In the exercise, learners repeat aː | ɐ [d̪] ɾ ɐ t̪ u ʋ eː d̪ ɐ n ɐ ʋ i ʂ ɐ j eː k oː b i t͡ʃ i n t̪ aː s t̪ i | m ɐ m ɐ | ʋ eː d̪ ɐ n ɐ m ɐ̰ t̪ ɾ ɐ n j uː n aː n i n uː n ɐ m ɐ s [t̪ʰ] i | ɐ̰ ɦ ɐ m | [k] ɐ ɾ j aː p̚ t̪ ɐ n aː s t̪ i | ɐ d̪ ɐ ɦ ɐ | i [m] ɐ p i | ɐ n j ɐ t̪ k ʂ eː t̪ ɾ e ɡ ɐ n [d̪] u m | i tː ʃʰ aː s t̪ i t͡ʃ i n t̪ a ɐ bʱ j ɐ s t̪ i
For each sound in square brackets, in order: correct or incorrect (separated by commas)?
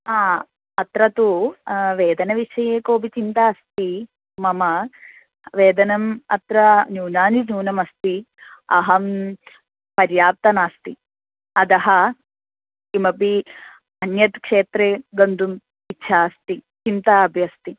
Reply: incorrect, incorrect, incorrect, correct, correct